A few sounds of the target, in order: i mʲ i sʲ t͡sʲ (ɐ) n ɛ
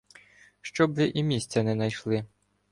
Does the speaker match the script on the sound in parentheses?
yes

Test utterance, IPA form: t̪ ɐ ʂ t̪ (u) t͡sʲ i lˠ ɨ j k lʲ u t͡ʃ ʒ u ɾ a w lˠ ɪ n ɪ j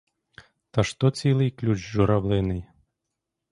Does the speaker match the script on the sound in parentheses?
no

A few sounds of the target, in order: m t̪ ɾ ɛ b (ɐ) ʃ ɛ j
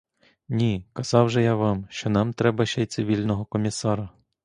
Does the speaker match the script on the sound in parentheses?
yes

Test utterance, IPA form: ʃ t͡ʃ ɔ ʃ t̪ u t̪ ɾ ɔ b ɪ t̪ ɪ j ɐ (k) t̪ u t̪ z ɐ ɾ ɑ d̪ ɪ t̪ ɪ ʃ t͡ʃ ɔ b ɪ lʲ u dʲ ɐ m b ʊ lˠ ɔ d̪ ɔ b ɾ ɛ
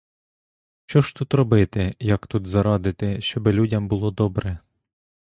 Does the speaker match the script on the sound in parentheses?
yes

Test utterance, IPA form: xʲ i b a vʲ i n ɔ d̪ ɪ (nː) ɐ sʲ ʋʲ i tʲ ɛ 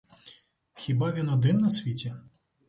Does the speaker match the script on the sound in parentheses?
yes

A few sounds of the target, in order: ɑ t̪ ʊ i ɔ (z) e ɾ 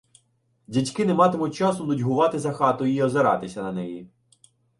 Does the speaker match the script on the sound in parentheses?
yes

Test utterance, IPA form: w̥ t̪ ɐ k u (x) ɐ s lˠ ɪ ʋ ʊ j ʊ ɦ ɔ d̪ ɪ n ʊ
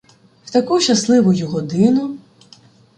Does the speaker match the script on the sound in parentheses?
no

